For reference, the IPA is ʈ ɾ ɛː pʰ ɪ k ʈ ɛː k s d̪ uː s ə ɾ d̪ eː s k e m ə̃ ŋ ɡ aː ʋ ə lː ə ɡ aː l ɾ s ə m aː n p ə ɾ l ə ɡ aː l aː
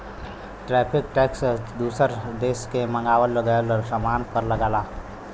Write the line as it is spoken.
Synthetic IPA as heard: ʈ ɾ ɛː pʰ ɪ k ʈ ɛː k s d̪ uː s ə ɾ d̪ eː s k e m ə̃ ŋ ɡ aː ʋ ə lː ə ɡ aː l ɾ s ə m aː n p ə ɾ l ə ɡ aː l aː

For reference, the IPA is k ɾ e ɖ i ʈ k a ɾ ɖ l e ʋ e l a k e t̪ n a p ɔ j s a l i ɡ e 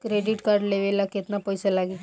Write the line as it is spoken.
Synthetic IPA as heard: k ɾ e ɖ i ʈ k a ɾ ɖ l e ʋ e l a k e t̪ n a p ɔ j s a l a ɡ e

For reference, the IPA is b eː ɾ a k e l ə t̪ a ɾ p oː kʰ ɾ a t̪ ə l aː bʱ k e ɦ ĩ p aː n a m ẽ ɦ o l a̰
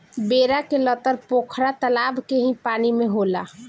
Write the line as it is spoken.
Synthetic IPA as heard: b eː ɾ a k e l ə t̪ ə ɾ p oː kʰ ɾ a t̪ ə l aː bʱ k e ɦ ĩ p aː n i m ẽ ɦ o l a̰

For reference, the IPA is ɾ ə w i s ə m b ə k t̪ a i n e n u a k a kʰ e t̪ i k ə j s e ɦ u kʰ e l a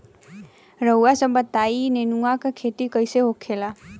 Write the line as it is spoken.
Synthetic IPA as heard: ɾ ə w a s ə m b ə t̪ a i n e n u a k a kʰ e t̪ i k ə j s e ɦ o kʰ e l a

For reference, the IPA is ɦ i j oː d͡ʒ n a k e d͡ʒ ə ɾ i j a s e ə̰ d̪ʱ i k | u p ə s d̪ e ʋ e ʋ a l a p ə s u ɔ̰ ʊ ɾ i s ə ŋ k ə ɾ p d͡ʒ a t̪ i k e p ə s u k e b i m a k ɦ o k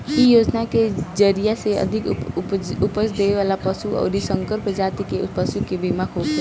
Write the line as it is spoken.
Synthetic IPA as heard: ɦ i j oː d͡ʒ n a k e d͡ʒ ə ɾ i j a s e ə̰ d̪ʱ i k | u p ə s d̪ e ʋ e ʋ a l a p ə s u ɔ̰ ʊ ɾ i s ə ŋ k ə ɾ p d͡ʒ a t̪ i k e p ə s u k e b i m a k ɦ o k

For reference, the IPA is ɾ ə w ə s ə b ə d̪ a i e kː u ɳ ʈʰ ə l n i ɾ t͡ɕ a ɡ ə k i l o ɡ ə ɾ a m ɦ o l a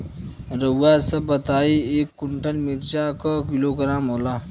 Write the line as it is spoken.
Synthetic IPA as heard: ɾ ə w a s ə b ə t̪ a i e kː u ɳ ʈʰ ə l m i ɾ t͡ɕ a k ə k i l o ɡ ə ɾ a m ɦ o l a

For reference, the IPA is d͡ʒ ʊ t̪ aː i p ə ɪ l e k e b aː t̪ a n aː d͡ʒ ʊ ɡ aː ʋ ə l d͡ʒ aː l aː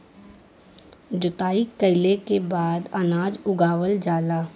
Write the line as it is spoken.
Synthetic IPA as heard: d͡ʒ ʊ t̪ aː i k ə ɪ l e k e b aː d̪ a n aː d͡ʒ ʊ ɡ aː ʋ ə l d͡ʒ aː l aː

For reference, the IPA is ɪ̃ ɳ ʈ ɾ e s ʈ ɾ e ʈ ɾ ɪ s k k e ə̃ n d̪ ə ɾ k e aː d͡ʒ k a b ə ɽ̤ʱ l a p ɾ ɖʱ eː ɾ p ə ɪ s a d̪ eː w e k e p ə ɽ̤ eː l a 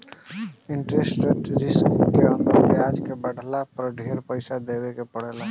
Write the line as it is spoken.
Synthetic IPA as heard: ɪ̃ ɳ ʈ ɾ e s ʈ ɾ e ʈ ɾ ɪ s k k e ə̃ n d̪ ə ɾ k e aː d͡ʒ k e b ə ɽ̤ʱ l a p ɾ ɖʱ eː ɾ p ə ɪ s a d̪ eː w e k e p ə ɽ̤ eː l a

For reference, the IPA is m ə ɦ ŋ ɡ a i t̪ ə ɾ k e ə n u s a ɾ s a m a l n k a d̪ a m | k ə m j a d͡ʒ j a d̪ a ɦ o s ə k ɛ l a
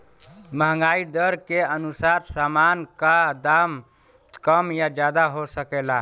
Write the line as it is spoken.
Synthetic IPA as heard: m ə ɦ ŋ ɡ a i d̪ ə ɾ k e ə n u s a ɾ s a m a n k a d̪ a m | k ə m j a d͡ʒ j a d̪ a ɦ o s ə k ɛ l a

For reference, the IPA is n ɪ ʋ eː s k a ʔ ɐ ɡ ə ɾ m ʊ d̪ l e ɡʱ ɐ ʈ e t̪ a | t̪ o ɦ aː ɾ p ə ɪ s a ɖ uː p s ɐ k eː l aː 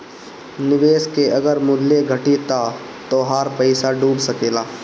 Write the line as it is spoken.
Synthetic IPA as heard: n ɪ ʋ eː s k e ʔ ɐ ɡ ə ɾ m ʊ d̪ l e ɡʱ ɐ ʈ i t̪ a | t̪ o ɦ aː ɾ p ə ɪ s a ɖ uː b s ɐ k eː l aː

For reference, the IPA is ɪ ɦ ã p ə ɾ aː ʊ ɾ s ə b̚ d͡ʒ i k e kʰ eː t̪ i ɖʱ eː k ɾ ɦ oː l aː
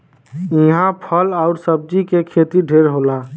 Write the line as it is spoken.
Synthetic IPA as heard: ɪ ɦ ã pʰ ə l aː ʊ ɾ s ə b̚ d͡ʒ i k e kʰ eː t̪ i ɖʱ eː ɾ ɦ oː l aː

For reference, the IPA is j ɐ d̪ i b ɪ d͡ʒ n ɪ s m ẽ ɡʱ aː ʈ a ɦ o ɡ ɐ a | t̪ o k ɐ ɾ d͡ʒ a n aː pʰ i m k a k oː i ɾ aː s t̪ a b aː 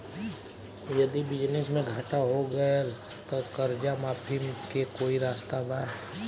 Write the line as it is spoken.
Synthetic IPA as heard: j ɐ d̪ i b ɪ d͡ʒ n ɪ s m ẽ ɡʱ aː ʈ a ɦ o ɡ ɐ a | t̪ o k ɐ ɾ d͡ʒ a m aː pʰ i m k e k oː i ɾ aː s t̪ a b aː

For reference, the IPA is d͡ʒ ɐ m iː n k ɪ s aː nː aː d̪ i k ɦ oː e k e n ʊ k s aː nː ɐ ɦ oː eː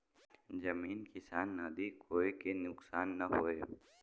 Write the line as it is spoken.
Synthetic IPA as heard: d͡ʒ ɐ m iː n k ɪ s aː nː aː d̪ i k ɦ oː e k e n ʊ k s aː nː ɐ ɦ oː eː

